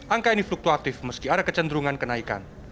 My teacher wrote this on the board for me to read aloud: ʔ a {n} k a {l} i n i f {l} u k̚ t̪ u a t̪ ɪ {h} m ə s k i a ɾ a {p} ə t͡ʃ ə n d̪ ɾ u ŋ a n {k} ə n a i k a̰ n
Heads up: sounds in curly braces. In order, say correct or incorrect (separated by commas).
incorrect, incorrect, correct, incorrect, incorrect, correct